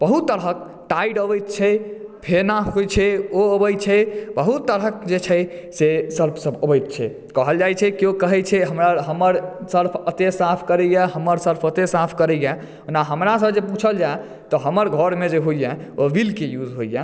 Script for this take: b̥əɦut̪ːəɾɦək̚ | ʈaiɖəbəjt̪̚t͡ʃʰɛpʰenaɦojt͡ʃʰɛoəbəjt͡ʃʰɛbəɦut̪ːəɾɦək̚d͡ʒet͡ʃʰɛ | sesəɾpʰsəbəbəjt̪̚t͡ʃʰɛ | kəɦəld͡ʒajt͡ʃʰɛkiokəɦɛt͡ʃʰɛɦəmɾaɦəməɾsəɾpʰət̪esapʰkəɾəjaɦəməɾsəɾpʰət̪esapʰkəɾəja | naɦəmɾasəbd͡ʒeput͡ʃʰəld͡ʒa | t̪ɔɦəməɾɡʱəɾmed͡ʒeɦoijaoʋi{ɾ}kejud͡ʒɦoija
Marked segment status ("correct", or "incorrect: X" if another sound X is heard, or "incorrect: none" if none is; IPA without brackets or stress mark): incorrect: l